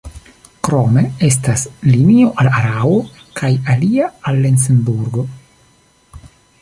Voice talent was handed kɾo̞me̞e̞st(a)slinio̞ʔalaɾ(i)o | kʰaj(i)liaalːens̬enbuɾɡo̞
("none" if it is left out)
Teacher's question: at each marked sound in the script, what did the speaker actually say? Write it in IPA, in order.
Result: a, a, a

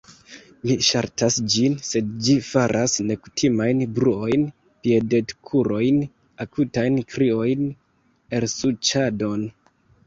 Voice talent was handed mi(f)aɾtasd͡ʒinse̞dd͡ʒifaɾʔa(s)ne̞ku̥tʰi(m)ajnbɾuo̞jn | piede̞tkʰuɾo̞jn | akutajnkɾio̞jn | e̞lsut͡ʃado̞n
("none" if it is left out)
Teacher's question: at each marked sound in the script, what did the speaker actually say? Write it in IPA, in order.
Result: ʃ, s, m

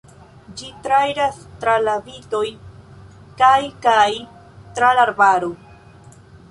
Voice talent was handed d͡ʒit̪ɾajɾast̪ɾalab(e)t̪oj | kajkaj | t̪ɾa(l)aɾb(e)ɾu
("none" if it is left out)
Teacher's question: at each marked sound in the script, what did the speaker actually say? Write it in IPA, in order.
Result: i, l, a

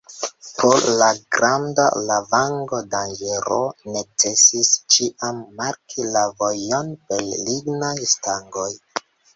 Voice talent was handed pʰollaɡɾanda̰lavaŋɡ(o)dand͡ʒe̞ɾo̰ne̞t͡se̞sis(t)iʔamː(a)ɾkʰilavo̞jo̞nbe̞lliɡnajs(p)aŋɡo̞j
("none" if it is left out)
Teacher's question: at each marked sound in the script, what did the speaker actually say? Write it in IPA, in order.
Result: o, t͡ʃ, a, t

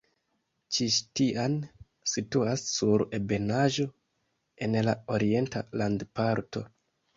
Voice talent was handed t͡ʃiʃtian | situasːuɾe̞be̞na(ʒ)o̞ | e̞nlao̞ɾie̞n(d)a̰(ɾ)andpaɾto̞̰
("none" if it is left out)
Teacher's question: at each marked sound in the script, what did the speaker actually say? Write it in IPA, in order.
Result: ʒ, t, l

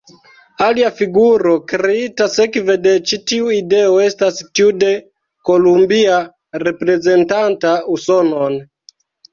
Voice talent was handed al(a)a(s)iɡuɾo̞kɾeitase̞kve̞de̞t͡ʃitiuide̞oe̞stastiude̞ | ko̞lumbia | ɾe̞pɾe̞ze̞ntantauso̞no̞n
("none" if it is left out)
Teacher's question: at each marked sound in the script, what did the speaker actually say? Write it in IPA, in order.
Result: i, f

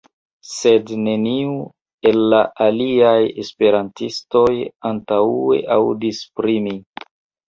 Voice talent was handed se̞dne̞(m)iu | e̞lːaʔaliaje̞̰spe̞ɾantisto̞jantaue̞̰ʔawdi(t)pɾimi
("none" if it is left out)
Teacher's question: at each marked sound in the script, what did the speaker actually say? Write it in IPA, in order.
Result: n, s

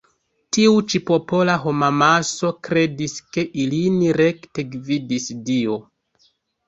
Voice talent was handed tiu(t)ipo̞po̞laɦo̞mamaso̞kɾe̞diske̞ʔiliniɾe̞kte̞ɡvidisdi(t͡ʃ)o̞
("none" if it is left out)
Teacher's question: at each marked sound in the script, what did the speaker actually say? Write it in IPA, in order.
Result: t͡ʃ, none

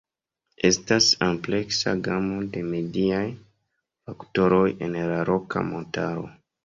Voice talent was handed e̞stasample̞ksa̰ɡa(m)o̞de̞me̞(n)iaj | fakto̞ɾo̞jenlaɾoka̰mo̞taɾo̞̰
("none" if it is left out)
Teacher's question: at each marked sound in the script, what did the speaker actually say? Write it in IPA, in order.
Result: m, d

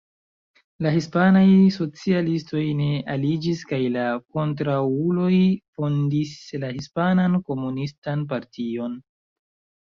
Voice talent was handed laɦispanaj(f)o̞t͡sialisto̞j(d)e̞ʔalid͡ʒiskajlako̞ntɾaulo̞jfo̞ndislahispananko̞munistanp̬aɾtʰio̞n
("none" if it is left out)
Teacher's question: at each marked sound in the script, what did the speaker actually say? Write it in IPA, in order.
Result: s, n

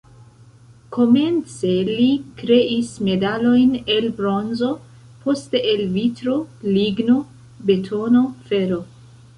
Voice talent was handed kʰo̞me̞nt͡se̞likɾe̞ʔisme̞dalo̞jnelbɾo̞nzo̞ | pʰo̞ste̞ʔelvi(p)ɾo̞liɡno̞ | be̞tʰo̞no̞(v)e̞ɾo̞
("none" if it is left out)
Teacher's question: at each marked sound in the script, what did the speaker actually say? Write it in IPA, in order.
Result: t, f

